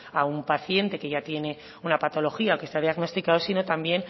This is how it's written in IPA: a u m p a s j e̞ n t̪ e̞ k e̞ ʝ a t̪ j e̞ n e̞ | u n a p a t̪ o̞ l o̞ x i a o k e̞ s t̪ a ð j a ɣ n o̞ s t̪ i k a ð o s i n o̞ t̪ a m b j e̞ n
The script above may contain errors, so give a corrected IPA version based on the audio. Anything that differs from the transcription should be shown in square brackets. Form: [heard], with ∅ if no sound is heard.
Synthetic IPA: a u m p a [θ] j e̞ n t̪ e̞ k e̞ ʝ a t̪ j e̞ n e̞ | u n a p a t̪ o̞ l o̞ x i a o k e̞ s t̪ a ð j a ɣ n o̞ s t̪ i k a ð o s i n o̞ t̪ a m b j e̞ n